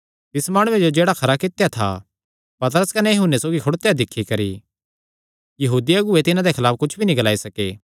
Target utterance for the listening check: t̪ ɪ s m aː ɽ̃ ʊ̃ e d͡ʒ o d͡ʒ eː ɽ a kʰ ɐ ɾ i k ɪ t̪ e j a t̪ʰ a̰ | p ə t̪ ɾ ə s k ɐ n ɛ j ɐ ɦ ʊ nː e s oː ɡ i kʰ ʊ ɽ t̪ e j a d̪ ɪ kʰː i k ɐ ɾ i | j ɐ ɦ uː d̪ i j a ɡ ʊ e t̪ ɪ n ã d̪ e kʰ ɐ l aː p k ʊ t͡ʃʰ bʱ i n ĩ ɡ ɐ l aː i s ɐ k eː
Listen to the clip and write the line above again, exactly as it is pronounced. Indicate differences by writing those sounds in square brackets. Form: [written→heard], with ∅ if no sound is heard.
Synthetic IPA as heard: t̪ ɪ s m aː ɽ̃ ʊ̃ e d͡ʒ o d͡ʒ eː ɽ a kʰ ɐ ɾ [i→a] k ɪ t̪ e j a t̪ʰ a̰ | p [ə→ɐ] t̪ ɾ ə s k ɐ n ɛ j ɐ ɦ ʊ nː e s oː ɡ i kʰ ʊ ɽ t̪ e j a d̪ ɪ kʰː i k ɐ ɾ i | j ɐ ɦ uː d̪ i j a ɡ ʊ e t̪ ɪ n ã d̪ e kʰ ɐ l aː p k ʊ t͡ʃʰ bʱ i n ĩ ɡ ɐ l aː i s ɐ k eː